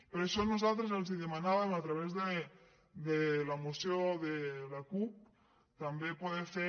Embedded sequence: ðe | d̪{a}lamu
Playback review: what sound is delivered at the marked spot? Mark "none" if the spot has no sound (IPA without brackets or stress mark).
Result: e